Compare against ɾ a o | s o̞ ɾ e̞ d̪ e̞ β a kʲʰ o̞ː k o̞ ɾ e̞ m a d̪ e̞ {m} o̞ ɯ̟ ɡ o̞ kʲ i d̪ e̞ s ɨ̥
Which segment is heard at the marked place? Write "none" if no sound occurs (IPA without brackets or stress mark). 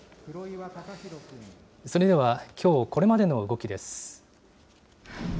n